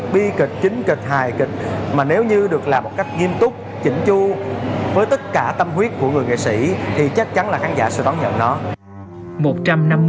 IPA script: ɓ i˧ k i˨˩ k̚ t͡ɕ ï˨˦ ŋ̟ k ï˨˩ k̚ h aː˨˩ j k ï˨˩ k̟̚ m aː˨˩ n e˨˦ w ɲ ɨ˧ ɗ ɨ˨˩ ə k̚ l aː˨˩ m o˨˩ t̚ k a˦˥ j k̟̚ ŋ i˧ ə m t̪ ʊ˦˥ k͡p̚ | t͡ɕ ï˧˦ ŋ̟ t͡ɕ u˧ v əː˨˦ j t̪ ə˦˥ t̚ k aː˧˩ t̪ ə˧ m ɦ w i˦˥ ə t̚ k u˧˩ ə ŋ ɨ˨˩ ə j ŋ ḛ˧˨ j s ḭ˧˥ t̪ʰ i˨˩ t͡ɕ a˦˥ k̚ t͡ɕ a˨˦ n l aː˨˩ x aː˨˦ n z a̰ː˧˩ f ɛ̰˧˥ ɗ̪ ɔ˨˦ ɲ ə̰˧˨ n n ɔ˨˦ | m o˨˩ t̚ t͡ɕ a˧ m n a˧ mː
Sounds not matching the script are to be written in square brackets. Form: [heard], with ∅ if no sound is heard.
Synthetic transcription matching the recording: ɓ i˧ k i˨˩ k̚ t͡ɕ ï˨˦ ŋ̟ k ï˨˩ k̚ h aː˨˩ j k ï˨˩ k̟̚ m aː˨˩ n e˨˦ w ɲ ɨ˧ ɗ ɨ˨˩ ə k̚ l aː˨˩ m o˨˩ t̚ k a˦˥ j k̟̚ ŋ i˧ ə m t̪ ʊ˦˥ k͡p̚ | t͡ɕ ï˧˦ ŋ̟ t͡ɕ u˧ v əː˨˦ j t̪ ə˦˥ t̚ k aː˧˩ t̪ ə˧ m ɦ w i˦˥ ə t̚ k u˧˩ ə ŋ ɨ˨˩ ə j ŋ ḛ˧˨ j s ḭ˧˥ t̪ʰ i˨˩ t͡ɕ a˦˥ k̚ t͡ɕ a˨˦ n l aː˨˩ x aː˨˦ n z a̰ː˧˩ [s] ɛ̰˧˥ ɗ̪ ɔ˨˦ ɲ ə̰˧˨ n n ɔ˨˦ | m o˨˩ t̚ t͡ɕ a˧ m n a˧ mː